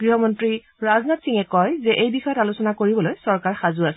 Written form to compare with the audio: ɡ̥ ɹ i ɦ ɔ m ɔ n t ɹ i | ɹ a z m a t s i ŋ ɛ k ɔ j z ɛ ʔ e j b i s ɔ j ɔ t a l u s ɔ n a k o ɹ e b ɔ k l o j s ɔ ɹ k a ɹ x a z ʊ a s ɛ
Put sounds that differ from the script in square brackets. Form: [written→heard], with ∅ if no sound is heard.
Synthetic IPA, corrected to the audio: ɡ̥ ɹ i ɦ ɔ m ɔ n t ɹ i | ɹ a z [m→n] a t s i ŋ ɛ k ɔ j z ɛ ʔ e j b i [s→x] ɔ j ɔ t a l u s ɔ n a k o ɹ [e→i] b ɔ [k→∅] l o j s ɔ ɹ k a ɹ x a z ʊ a s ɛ